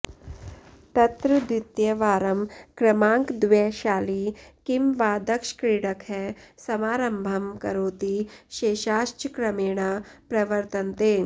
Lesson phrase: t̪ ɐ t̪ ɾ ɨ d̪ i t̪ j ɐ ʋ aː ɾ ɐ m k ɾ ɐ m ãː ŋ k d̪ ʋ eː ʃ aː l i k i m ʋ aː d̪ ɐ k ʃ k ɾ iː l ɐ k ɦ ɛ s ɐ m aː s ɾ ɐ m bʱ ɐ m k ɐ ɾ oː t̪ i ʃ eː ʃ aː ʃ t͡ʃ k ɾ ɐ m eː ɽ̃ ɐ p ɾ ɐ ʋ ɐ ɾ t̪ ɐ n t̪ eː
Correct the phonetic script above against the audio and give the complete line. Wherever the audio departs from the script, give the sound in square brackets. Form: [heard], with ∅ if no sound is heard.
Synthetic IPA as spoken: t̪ ɐ t̪ ɾ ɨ d̪ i t̪ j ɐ ʋ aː ɾ ɐ m k ɾ ɐ m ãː ŋ k d̪ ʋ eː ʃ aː l i k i m ʋ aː d̪ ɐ k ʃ k ɾ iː [ɽ] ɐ k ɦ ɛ s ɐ m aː [∅] ɾ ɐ m bʱ ɐ m k ɐ ɾ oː t̪ i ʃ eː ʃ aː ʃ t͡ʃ k ɾ ɐ m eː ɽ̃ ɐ p ɾ ɐ ʋ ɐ ɾ t̪ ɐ n t̪ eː